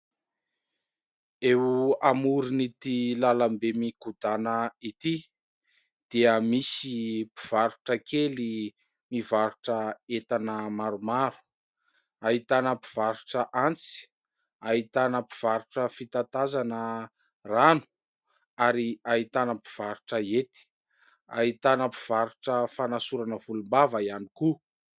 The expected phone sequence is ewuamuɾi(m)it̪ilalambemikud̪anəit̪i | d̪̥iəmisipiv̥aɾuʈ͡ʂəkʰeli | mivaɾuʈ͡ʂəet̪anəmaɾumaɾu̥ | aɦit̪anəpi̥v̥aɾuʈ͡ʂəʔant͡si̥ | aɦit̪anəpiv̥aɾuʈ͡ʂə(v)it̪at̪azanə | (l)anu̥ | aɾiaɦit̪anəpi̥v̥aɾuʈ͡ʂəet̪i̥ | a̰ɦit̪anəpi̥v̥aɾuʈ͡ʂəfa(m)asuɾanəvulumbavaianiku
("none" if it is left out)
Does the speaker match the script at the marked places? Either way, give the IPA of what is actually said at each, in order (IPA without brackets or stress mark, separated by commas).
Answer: n, f, r, n